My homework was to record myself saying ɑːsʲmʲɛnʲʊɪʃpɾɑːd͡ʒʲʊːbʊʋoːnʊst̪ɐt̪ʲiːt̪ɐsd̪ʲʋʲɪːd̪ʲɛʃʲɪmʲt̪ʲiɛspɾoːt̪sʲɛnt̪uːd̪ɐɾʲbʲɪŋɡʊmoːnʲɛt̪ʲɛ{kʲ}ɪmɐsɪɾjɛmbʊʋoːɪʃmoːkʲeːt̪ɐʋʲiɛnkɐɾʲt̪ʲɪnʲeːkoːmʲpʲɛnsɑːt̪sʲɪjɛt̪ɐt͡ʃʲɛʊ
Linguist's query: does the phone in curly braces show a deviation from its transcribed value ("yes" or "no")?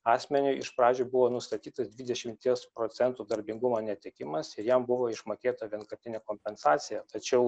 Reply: no